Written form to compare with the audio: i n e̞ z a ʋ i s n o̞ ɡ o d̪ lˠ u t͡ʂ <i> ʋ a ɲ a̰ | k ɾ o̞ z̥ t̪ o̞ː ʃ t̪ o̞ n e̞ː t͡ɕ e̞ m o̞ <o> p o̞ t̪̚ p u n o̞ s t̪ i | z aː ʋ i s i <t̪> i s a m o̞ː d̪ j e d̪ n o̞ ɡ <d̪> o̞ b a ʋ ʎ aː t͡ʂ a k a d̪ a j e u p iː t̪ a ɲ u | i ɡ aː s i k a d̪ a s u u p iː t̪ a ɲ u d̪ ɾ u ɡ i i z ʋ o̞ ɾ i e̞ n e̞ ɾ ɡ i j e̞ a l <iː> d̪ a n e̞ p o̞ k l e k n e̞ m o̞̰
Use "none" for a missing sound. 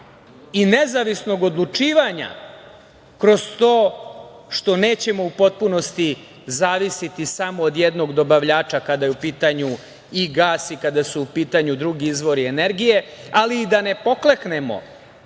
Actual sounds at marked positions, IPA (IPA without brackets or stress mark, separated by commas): iː, u, t̪, d̪, iː